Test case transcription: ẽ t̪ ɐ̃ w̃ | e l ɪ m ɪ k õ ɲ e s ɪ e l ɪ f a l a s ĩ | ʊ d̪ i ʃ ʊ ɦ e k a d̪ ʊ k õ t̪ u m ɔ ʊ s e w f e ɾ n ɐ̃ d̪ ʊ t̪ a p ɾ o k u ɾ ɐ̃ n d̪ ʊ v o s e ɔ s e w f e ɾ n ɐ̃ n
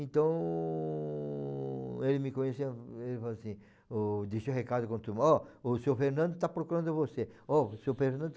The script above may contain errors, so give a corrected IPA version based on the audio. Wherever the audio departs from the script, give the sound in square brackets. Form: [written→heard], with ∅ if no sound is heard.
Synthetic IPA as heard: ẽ t̪ ɐ̃ w̃ | e l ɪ m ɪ k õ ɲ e s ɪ e l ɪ f a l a s ĩ | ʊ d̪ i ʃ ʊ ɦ e k a d̪ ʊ k õ t̪ u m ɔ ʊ s e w f e ɾ n ɐ̃ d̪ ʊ t̪ a p ɾ o k u ɾ ɐ̃ n d̪ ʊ v o s e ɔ s e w f e ɾ n ɐ̃ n